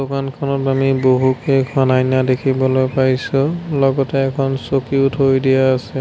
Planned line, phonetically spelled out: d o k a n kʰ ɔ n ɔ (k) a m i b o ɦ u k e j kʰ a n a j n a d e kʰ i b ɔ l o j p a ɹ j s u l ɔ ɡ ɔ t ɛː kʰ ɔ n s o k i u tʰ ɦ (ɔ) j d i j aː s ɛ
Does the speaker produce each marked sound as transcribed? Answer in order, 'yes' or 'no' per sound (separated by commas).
no, no